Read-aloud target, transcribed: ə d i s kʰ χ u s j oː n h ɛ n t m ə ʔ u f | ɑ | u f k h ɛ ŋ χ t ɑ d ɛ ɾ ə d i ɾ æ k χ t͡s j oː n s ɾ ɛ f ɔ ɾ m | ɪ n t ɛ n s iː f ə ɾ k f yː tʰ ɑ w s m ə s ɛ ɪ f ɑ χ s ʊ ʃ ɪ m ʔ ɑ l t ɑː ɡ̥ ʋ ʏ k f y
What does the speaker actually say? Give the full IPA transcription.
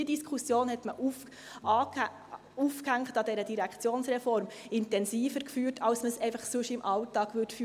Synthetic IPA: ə d i s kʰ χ u s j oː n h ɛ t m ə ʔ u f | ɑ | u f k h æ ŋ χ t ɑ d ɛ ɾ ə d i ɾ æ k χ t͡s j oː n s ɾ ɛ f ɔ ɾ m | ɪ n t ɛ n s iː f ə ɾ k f yː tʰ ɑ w s m ə s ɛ ɪ f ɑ χ s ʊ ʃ ɪ m ʔ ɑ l t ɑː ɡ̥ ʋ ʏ t f y